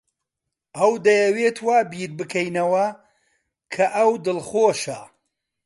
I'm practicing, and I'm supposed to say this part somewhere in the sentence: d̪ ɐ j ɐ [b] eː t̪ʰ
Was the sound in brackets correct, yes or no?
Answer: no